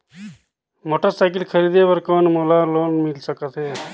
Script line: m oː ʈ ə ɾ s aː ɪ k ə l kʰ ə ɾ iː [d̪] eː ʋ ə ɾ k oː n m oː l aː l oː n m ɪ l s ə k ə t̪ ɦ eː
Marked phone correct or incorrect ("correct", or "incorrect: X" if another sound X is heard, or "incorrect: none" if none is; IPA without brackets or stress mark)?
correct